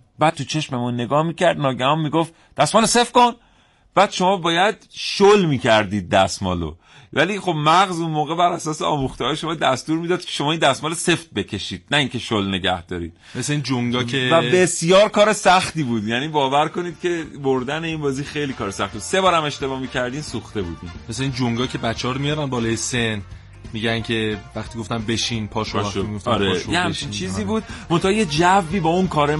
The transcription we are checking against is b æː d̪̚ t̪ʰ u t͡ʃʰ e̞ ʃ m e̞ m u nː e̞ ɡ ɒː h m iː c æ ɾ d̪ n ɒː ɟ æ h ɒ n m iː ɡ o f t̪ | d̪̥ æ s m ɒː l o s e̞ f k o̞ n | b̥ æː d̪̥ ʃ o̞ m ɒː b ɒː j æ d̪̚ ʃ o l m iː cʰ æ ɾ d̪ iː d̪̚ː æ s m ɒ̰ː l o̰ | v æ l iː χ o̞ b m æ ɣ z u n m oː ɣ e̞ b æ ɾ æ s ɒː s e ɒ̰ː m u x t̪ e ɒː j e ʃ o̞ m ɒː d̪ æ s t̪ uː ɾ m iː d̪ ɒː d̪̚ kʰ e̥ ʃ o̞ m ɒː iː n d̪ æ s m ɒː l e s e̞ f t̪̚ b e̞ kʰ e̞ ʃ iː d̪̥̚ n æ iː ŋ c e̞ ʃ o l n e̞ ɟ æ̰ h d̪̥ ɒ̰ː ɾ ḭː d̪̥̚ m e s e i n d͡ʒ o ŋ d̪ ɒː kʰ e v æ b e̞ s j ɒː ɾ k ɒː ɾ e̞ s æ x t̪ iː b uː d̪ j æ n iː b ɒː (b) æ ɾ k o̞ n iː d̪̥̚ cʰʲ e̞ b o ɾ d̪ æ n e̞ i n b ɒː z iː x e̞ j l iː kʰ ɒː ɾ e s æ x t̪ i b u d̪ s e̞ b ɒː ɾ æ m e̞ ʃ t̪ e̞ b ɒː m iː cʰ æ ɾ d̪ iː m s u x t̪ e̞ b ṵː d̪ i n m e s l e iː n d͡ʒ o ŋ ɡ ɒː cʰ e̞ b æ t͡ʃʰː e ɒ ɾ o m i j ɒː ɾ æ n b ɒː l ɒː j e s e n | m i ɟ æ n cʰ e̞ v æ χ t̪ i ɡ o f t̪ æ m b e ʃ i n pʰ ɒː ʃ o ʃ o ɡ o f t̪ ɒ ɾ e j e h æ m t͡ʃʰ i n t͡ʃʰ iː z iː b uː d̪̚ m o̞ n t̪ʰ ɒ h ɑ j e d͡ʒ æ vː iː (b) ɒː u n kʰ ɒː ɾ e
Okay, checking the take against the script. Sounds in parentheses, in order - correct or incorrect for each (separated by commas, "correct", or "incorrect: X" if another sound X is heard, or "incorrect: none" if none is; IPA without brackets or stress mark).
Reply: incorrect: v, correct